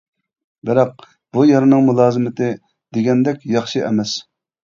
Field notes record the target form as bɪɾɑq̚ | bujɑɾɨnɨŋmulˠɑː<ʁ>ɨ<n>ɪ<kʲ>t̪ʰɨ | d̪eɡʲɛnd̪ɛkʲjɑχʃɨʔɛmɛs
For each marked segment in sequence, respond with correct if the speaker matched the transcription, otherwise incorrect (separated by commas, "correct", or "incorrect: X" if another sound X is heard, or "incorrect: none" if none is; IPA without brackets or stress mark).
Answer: incorrect: z, incorrect: m, incorrect: none